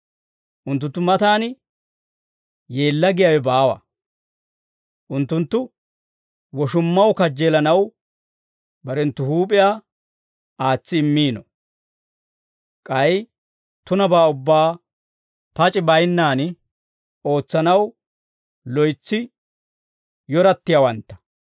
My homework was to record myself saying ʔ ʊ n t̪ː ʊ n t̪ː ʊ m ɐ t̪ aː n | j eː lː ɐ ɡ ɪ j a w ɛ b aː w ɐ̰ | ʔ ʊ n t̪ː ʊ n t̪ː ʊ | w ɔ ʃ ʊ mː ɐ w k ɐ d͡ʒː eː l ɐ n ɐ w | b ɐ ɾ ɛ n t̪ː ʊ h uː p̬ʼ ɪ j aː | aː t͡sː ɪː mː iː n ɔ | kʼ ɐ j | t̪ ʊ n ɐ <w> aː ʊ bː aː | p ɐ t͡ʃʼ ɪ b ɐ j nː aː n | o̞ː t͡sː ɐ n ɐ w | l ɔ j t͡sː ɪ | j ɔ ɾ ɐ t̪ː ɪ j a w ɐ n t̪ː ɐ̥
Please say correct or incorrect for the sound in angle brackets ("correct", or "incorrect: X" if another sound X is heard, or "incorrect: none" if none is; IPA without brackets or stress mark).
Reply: incorrect: b